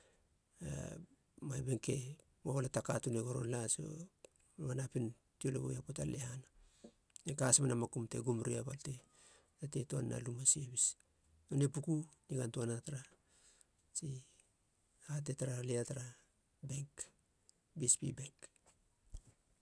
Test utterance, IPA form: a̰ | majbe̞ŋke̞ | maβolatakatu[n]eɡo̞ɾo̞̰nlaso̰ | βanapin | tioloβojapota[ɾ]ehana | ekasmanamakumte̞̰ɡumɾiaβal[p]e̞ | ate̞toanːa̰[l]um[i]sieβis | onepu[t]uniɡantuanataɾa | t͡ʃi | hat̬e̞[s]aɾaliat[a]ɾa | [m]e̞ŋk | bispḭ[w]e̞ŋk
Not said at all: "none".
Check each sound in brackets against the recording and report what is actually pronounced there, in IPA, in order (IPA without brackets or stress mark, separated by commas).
n, l, t, l, a, k, t, a, b, b